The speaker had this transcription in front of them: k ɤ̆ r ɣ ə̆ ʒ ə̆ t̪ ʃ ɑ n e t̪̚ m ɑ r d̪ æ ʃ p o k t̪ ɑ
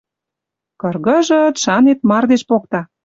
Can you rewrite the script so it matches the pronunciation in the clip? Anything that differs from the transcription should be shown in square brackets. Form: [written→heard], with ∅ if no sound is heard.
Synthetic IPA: k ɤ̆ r ɣ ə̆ ʒ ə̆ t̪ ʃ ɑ n e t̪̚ m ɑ r d̪ [æ→e] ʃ p o k t̪ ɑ